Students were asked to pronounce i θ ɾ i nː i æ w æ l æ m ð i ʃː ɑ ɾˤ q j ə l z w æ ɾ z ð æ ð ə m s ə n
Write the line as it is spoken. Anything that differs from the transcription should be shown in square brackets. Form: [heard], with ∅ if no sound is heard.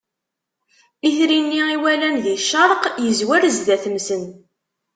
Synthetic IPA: i θ ɾ i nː i [i] w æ l æ [n] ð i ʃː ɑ ɾˤ q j ə [∅] z w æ ɾ z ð æ [θ] ə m s ə n